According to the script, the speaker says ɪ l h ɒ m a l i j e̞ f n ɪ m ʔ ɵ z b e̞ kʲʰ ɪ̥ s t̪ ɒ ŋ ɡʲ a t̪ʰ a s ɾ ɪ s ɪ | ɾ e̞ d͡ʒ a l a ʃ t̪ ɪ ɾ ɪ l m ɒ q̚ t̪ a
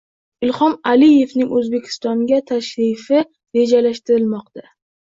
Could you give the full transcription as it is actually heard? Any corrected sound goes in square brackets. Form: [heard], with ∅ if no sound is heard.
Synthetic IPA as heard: ɪ l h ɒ m a l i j e̞ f n ɪ [ŋ] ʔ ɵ z b e̞ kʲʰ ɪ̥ s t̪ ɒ ŋ ɡʲ a t̪ʰ a [ʃ] ɾ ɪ [f] ɪ | ɾ e̞ d͡ʒ a l a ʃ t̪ ɪ ɾ ɪ l m ɒ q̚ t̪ a

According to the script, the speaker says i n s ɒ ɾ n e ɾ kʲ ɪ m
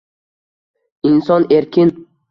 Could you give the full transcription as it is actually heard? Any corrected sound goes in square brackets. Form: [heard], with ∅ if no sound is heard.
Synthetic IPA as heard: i n s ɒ [∅] n e ɾ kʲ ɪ [n]

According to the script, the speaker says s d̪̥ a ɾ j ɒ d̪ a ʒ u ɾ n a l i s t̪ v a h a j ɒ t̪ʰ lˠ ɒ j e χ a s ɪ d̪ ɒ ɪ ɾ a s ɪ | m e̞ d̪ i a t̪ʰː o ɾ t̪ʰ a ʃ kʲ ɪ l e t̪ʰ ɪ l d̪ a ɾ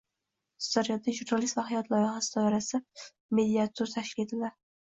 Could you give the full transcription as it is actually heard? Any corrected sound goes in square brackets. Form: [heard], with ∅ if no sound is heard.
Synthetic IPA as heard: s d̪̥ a ɾ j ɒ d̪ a ʒ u ɾ n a l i s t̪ v a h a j ɒ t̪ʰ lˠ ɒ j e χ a s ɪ d̪ ɒ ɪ ɾ a s ɪ | m e̞ d̪ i a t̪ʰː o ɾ t̪ʰ a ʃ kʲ ɪ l e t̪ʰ ɪ l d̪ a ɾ

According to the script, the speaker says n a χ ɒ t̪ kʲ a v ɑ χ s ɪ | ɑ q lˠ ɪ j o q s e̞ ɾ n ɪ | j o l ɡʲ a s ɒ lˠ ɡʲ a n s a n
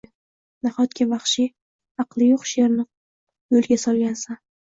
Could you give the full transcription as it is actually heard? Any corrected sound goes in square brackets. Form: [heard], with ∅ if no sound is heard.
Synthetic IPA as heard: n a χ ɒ t̪ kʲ a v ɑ χ [ʃ] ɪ | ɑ q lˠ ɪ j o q [ʃ] e̞ ɾ n ɪ | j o l ɡʲ a s ɒ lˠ ɡʲ a n s a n

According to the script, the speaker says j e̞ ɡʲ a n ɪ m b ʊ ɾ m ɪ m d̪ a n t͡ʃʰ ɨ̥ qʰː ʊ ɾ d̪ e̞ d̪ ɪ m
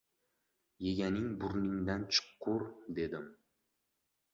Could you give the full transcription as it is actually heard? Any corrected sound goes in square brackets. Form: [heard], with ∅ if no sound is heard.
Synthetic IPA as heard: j e̞ ɡʲ a n ɪ [ŋ] b ʊ ɾ [n] ɪ [ŋ] d̪ a n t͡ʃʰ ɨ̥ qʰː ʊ ɾ d̪ e̞ d̪ ɪ m

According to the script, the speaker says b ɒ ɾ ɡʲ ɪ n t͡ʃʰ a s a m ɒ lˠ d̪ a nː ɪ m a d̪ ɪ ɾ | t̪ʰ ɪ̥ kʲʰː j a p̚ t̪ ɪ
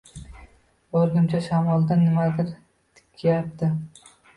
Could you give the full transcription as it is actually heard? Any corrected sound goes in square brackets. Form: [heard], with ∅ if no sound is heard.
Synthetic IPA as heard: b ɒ ɾ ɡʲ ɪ [m] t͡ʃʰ a [ʃ] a m ɒ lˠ d̪ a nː ɪ m a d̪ ɪ ɾ | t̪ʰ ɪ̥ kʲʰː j a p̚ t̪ ɪ

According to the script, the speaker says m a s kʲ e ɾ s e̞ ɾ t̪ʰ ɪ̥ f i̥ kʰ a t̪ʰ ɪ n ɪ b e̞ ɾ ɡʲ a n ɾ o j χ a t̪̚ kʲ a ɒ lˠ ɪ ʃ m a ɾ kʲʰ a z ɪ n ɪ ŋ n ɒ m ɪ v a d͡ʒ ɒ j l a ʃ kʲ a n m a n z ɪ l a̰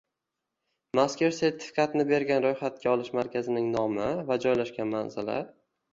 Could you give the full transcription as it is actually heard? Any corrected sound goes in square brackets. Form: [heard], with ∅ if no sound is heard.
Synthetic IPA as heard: m a s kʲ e ɾ s e̞ ɾ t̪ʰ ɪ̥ f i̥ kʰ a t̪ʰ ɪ n ɪ b e̞ ɾ ɡʲ a n ɾ o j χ a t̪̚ kʲ a ɒ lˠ ɪ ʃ m a ɾ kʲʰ a z ɪ n ɪ ŋ n ɒ m ɪ v a d͡ʒ ɒ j l a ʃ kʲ a n m a n z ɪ l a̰

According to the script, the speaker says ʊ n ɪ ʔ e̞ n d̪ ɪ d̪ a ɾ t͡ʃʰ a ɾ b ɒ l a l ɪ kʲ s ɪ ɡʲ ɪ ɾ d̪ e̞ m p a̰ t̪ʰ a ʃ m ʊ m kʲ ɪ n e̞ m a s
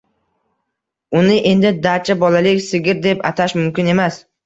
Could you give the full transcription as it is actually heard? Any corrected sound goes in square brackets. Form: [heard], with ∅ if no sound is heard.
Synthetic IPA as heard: ʊ n ɪ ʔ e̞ n d̪ ɪ d̪ a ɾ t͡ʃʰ a [∅] b ɒ l a l ɪ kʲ s ɪ ɡʲ ɪ ɾ d̪ e̞ [∅] p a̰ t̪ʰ a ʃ m ʊ m kʲ ɪ n e̞ m a s

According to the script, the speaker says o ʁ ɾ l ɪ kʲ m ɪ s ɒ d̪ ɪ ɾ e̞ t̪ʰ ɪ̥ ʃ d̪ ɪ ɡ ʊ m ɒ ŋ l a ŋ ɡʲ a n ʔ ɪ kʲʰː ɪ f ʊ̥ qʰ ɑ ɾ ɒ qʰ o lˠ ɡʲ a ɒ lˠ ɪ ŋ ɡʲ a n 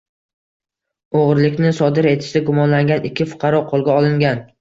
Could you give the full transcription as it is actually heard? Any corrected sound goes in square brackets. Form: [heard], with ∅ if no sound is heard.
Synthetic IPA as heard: o ʁ ɾ l ɪ kʲ [n] ɪ s ɒ d̪ ɪ ɾ e̞ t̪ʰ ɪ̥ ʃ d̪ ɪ ɡ ʊ m ɒ [n] l a ŋ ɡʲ a n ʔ ɪ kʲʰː ɪ f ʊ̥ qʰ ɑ ɾ ɒ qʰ o lˠ ɡʲ a ɒ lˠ ɪ ŋ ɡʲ a n

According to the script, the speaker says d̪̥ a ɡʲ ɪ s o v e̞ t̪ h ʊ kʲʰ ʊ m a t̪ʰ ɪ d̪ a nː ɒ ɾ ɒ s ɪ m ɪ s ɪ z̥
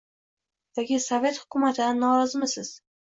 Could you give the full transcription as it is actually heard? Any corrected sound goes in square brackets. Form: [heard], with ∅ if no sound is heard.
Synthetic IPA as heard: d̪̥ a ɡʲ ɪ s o v e̞ t̪ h ʊ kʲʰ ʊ m a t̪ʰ ɪ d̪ a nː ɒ ɾ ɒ [z] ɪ m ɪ s ɪ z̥

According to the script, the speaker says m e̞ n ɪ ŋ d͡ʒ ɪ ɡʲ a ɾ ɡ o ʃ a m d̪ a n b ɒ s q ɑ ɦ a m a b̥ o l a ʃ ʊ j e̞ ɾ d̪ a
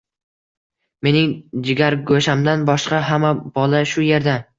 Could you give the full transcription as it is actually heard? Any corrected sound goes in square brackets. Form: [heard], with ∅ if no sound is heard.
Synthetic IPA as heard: m e̞ n ɪ ŋ d͡ʒ ɪ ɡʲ a ɾ ɡ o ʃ a m d̪ a n b ɒ [ʃ] q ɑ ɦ a m a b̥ [ɒ] l a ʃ ʊ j e̞ ɾ d̪ a

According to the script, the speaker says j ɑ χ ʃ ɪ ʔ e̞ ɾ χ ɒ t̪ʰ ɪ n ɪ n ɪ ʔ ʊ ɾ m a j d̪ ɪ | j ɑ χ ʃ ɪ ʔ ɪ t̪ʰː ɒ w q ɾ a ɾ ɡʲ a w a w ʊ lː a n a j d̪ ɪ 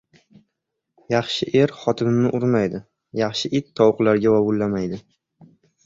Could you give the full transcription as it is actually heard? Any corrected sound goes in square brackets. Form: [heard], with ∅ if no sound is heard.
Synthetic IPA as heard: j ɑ χ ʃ ɪ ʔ e̞ ɾ χ ɒ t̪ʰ ɪ n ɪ n ɪ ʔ ʊ ɾ m a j d̪ ɪ | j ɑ χ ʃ ɪ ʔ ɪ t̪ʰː ɒ w q [l] a ɾ ɡʲ a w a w ʊ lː a [m] a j d̪ ɪ

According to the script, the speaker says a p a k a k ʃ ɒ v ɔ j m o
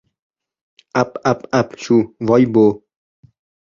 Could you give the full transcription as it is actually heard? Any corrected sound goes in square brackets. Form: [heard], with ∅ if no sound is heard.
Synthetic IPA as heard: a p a [p] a [p] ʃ [u] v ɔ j [b] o

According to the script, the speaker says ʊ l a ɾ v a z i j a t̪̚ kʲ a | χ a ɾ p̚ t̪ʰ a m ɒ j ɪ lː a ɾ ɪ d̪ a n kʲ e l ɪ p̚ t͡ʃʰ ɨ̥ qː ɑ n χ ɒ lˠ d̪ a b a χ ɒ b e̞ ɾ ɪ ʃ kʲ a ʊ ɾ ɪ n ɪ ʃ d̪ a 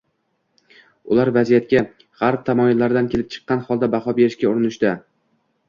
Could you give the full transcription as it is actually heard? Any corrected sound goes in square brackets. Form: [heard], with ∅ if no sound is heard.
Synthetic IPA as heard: ʊ l a ɾ v a z i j a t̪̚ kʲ a | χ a ɾ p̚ t̪ʰ a m ɒ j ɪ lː a ɾ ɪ d̪ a n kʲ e l ɪ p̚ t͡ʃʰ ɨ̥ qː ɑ n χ ɒ lˠ d̪ a b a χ ɒ b e̞ ɾ ɪ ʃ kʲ a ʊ ɾ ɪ n ɪ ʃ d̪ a

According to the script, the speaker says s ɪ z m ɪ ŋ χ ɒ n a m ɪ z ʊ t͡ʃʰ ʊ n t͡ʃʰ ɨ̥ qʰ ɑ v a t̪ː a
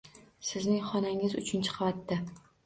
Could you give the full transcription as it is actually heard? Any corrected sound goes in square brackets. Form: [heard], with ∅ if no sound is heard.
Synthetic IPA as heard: s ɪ z [n] ɪ ŋ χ ɒ n a [ŋ] ɪ z ʊ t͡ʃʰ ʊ n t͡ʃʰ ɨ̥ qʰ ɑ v a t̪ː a

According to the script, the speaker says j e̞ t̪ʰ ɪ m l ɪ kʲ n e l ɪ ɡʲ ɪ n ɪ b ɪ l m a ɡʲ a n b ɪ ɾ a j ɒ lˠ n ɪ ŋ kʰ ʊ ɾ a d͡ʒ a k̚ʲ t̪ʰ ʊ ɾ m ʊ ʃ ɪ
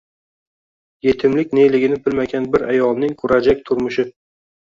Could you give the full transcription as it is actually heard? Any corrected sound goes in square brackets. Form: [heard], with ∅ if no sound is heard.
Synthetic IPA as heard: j e̞ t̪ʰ ɪ m l ɪ kʲ n e l ɪ ɡʲ ɪ n ɪ b ɪ l m a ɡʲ a n b ɪ ɾ a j ɒ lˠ n ɪ ŋ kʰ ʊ ɾ a d͡ʒ a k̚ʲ t̪ʰ ʊ ɾ m ʊ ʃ ɪ

